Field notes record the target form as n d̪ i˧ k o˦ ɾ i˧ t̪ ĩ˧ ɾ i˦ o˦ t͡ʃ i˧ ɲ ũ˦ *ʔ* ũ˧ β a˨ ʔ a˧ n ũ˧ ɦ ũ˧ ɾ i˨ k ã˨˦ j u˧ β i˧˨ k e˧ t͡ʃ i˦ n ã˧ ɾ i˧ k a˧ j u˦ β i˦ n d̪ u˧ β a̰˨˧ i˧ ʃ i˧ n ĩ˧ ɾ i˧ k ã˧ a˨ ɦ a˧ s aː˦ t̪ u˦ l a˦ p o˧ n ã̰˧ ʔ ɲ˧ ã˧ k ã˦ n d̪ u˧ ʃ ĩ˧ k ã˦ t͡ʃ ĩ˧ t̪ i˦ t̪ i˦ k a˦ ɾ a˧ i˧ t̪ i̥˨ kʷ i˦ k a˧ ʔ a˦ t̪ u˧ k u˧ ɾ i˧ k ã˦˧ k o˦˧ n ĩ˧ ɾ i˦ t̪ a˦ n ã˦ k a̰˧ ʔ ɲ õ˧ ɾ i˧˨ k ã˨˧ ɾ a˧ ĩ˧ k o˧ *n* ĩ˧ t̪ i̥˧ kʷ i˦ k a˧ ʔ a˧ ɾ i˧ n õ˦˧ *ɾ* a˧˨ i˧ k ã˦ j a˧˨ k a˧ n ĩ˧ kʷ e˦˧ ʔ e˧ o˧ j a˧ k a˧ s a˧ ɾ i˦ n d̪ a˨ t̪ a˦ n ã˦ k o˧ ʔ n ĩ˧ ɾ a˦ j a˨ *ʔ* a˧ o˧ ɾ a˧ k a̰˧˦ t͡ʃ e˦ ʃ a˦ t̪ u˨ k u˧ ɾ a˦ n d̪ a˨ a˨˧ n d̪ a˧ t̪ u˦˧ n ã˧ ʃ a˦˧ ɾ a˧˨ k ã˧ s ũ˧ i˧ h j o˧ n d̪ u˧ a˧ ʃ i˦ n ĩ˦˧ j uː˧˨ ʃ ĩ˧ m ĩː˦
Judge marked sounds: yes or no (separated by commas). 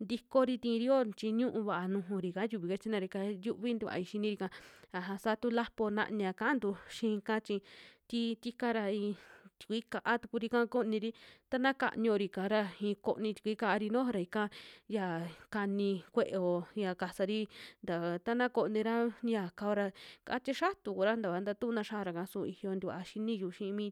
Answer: yes, yes, yes, no